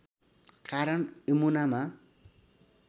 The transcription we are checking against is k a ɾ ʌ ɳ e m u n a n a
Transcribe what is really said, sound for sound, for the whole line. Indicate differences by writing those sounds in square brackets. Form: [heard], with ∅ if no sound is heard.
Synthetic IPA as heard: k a ɾ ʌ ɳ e m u n a [m] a

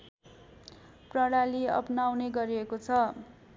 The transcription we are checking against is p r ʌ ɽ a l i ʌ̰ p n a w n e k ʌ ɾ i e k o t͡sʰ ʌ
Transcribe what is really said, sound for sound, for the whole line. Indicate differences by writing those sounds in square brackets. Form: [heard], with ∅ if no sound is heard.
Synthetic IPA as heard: p r ʌ ɽ a l i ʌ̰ p n a w n e [ɡ] ʌ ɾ i e k o t͡sʰ ʌ

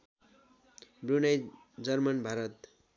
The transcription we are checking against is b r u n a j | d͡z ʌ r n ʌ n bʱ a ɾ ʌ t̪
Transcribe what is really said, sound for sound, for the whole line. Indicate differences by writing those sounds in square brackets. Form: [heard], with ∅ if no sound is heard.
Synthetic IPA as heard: b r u n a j | d͡z ʌ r [m] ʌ n bʱ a ɾ ʌ t̪

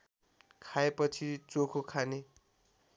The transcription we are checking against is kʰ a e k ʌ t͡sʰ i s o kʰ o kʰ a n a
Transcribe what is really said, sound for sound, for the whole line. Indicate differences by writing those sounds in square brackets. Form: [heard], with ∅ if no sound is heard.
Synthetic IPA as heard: kʰ a e [p] ʌ t͡sʰ i [t͡s] o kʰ o kʰ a n [e]

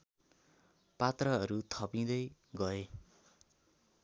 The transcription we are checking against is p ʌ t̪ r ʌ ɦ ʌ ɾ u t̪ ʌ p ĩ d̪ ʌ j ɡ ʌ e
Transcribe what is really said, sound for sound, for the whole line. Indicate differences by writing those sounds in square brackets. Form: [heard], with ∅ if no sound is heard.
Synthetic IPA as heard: p [a] t̪ r ʌ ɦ ʌ ɾ u [t̪ʰ] ʌ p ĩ d̪ ʌ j ɡ ʌ e

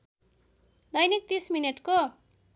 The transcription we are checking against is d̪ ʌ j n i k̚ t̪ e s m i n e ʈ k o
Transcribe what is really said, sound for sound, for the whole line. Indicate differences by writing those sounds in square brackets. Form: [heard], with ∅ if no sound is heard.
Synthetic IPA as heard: d̪ ʌ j n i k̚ t̪ [i] s m i n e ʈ k o

